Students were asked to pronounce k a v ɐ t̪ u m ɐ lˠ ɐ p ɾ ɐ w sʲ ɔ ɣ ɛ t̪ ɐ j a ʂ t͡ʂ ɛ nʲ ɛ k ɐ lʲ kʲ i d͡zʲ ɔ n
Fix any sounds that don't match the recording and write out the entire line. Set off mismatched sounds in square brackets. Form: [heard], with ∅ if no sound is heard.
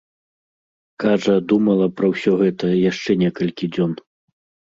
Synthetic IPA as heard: k a [ʐ] ɐ [d̪] u m ɐ lˠ ɐ p ɾ ɐ w sʲ ɔ ɣ ɛ t̪ ɐ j a ʂ t͡ʂ ɛ nʲ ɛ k ɐ lʲ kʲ i d͡zʲ ɔ n